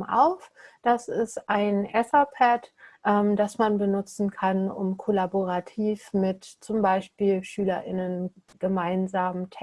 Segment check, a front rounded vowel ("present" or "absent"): present